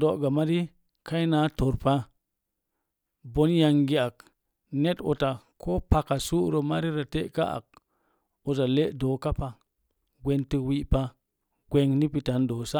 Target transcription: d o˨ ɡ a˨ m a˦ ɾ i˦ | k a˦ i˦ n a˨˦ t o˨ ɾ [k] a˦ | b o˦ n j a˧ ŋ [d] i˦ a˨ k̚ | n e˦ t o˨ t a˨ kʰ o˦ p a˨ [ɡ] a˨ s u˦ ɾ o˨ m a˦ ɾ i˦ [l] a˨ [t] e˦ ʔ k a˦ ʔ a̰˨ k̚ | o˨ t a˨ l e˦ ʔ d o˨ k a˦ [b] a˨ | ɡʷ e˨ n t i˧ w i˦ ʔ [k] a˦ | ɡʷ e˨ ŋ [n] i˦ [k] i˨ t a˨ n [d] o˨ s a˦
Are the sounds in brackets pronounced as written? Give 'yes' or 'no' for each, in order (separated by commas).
no, no, no, no, yes, no, no, yes, no, yes